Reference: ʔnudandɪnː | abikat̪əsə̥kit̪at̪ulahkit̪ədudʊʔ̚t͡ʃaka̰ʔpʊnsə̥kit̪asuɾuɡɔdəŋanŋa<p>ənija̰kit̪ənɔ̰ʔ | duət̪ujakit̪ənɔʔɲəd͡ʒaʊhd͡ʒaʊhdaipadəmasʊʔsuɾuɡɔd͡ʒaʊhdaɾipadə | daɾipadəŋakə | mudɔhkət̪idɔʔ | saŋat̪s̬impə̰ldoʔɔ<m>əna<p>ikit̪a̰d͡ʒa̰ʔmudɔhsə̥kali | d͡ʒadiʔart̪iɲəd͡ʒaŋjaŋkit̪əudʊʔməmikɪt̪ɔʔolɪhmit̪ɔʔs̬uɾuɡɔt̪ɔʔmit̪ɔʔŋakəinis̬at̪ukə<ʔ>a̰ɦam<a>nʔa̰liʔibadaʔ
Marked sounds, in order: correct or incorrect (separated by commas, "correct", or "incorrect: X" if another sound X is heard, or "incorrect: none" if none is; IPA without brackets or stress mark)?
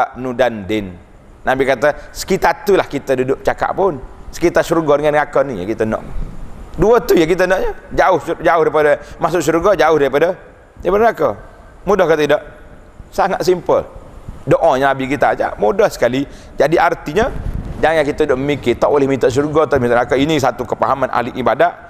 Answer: incorrect: k, incorrect: ɲ, incorrect: b, incorrect: p, correct